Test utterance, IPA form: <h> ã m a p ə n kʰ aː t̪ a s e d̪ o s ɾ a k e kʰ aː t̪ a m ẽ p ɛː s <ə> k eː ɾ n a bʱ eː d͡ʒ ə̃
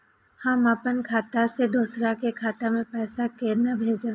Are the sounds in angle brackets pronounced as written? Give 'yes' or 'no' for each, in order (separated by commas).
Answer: yes, no